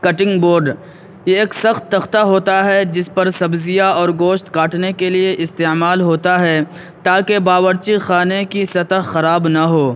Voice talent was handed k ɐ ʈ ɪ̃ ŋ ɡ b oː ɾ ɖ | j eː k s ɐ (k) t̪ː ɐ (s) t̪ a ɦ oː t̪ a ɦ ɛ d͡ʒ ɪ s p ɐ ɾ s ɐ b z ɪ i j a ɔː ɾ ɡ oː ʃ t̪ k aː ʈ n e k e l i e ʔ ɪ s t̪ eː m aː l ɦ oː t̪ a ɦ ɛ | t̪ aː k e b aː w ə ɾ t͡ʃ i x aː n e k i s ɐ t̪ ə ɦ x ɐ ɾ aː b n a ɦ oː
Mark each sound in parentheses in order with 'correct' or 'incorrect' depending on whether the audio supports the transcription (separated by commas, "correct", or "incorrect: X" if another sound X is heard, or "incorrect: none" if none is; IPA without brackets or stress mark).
incorrect: x, incorrect: x